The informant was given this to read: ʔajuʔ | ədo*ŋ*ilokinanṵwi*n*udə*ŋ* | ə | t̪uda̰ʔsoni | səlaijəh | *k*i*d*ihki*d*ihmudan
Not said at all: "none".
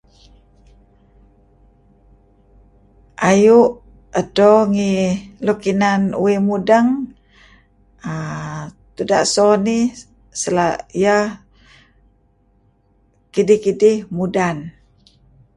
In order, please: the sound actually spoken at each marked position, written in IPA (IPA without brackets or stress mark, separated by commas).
ŋ, m, ŋ, k, d, d